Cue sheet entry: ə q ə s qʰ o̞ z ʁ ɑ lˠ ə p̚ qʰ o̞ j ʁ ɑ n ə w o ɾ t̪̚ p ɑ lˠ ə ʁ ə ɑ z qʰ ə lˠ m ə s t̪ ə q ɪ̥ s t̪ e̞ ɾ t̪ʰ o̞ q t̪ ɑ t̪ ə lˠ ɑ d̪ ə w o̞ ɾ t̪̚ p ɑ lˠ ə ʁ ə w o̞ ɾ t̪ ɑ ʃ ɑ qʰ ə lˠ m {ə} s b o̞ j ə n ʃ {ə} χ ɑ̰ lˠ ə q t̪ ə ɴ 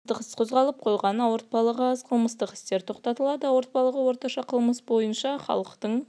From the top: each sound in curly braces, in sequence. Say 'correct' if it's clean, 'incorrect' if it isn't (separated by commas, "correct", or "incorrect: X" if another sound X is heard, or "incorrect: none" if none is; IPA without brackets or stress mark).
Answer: correct, incorrect: ɑ